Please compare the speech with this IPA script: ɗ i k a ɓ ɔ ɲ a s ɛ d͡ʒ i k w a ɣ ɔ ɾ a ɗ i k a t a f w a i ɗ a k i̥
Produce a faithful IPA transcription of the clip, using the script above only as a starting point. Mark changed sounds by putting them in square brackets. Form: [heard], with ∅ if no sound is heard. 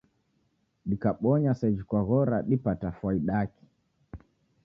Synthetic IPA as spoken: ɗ i k a ɓ ɔ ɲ a s ɛ d͡ʒ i k w a ɣ ɔ ɾ a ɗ i [p] a t a f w a i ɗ a k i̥

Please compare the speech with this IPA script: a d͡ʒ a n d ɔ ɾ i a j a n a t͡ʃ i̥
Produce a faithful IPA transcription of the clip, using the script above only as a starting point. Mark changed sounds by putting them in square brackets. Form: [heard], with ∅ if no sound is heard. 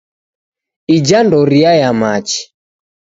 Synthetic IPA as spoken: [i] d͡ʒ a n d ɔ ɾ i a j a [m] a t͡ʃ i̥

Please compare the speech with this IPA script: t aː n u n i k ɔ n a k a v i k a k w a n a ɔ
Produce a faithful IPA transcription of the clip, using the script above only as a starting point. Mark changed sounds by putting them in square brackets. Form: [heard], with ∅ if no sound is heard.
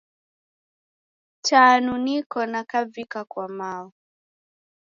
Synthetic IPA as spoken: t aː n u n i k ɔ n a k a v i k a k w a [m] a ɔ

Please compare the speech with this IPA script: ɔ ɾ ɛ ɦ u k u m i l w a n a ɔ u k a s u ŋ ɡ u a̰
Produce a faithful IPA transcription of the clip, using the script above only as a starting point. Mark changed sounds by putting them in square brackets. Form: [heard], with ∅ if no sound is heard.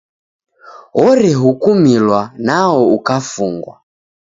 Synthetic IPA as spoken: ɔ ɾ ɛ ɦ u k u m i l w a n a ɔ u k a [f] u ŋ ɡ [w] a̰

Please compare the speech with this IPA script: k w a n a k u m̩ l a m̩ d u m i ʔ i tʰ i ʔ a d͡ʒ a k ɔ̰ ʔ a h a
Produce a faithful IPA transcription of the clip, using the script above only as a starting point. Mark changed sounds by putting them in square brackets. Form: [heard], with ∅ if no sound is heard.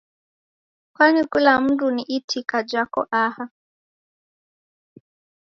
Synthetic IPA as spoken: k w a n [i] k u [∅] l a m̩ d u [n] i ʔ i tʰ i [k] a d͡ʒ a k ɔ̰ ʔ a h a

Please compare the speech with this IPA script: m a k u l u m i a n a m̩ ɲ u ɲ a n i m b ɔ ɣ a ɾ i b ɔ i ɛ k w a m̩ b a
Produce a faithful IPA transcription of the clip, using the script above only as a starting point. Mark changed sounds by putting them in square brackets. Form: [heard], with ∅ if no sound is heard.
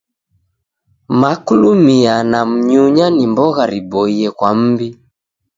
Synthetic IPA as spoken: m a k u l u m i a n a m̩ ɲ u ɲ a n i m b ɔ ɣ a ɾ i b ɔ i ɛ k w a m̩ b [i]

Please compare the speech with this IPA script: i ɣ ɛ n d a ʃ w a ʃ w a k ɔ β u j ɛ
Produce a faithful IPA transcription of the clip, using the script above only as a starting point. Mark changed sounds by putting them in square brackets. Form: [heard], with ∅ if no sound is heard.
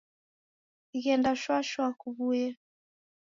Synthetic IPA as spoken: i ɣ ɛ n d a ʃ w a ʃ w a k [u] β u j ɛ

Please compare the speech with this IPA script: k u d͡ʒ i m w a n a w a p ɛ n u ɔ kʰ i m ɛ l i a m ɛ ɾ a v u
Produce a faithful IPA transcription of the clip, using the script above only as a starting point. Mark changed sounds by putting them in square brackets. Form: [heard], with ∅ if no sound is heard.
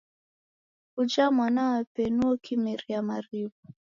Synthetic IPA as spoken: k u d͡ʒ [a] m w a n a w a p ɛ n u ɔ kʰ i m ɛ [ɾ] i a m [a] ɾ [i] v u

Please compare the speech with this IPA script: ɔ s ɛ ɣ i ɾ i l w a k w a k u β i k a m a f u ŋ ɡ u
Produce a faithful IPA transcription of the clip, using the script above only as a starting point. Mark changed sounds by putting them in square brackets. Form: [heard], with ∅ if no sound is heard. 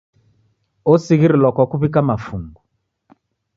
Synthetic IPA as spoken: ɔ s [i] ɣ i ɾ i l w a k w a k u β i k a m a f u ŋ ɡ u

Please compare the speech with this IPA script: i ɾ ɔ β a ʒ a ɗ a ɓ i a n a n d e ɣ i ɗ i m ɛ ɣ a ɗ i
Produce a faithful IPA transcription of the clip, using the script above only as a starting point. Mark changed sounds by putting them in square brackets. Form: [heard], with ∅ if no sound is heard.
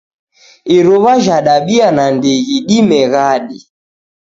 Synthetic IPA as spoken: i ɾ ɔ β a ʒ a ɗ a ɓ i a n a n d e ɣ i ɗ i m ɛ ɣ a ɗ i

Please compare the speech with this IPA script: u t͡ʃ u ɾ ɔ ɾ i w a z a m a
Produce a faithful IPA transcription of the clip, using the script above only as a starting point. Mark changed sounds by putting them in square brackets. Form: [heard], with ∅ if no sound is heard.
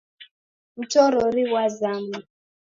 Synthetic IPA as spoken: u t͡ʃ [ɔ] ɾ ɔ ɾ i w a z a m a

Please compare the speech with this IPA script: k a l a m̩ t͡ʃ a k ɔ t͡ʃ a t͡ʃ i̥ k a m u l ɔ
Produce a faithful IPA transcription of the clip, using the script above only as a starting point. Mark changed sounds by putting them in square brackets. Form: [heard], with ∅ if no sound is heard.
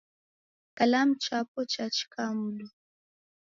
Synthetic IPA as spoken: k a l a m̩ t͡ʃ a [p] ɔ t͡ʃ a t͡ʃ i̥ k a m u l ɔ

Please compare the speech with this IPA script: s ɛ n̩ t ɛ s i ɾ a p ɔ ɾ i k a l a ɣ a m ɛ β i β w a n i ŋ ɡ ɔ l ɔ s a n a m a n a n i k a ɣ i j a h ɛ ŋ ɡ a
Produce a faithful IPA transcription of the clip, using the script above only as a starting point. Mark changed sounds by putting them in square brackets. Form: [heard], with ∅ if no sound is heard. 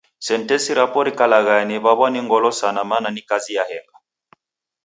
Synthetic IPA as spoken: s ɛ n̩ t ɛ s i ɾ a p ɔ ɾ i k a l a ɣ a [n] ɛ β [a] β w a n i ŋ ɡ ɔ l ɔ s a n a m a n a n i k a [z] i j a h ɛ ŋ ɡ a

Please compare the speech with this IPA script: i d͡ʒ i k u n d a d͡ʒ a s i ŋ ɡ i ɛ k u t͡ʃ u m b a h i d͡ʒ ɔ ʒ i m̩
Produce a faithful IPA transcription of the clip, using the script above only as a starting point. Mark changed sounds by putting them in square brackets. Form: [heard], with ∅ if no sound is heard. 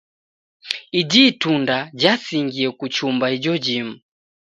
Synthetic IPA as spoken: i d͡ʒ i [t] u n d a d͡ʒ a s i ŋ ɡ i ɛ k u t͡ʃ u m b a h i d͡ʒ ɔ [d͡ʒ] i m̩

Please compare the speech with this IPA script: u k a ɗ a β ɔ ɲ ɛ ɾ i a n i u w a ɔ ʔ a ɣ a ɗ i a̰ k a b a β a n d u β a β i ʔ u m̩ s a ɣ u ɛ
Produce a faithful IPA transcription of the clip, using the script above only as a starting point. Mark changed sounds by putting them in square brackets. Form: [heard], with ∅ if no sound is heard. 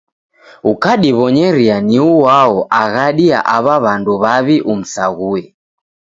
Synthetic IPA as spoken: u k a ɗ [i] β ɔ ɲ ɛ ɾ i a n i u w a ɔ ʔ a ɣ a ɗ i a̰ [ʔ] a [β] a β a n d u β a β i ʔ u m̩ s a ɣ u ɛ

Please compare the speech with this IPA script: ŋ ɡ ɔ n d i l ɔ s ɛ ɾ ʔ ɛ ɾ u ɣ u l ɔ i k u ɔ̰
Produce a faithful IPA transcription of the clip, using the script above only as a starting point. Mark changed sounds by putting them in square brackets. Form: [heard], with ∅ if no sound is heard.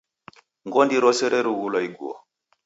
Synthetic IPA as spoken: ŋ ɡ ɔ n d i [ɾ] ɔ s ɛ ɾ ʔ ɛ ɾ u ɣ u l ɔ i [ɡ] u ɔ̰

